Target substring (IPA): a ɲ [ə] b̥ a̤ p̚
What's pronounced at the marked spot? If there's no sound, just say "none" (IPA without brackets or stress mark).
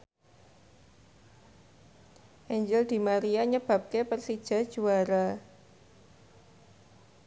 ə